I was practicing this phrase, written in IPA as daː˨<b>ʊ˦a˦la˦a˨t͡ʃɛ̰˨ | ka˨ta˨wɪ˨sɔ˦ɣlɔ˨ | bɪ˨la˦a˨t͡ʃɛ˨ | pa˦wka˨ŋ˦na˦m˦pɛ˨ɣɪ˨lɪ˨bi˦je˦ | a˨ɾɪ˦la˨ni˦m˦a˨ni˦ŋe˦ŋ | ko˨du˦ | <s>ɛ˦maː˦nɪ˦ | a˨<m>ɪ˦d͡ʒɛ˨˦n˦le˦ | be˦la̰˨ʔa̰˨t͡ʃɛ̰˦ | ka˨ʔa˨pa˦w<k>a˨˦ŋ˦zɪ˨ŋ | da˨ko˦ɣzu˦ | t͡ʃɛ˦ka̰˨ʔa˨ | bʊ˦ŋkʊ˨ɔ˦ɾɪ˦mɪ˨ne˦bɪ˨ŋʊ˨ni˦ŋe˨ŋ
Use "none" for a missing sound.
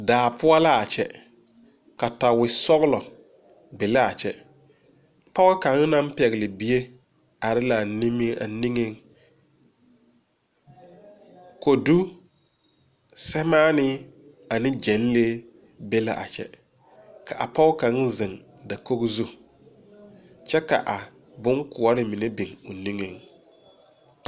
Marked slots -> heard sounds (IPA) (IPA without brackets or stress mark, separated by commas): p, s, n, k